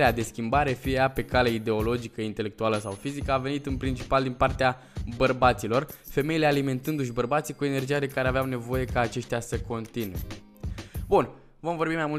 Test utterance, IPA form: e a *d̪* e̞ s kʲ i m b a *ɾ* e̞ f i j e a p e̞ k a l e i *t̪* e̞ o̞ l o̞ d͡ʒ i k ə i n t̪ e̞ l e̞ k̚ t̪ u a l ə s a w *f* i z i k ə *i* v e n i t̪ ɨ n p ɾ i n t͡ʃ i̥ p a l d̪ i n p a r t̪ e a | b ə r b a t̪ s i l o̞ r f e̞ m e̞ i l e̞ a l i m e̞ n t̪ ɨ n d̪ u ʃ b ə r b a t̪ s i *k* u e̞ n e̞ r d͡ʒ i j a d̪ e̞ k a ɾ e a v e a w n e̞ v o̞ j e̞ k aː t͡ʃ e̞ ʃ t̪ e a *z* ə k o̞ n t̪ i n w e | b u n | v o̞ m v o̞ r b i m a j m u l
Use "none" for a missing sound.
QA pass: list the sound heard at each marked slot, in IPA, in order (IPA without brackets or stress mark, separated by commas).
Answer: d̪, ɾ, d̪, f, a, k, s